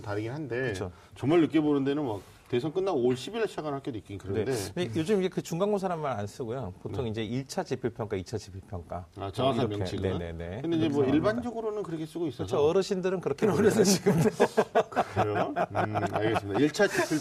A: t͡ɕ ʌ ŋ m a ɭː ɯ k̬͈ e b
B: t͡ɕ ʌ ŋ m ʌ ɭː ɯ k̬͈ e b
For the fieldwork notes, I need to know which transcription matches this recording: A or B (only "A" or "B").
A